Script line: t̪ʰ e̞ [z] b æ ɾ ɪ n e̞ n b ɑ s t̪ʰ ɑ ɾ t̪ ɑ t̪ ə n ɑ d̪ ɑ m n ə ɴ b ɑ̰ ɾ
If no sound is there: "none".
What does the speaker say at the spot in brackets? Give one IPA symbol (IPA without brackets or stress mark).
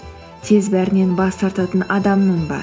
z